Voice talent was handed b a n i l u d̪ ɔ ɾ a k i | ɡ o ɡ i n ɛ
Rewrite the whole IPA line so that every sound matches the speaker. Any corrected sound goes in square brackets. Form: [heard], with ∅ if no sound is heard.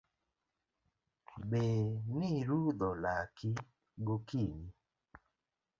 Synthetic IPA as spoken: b [e] n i [ɾ] u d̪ ɔ [l] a k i | ɡ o [k] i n [i]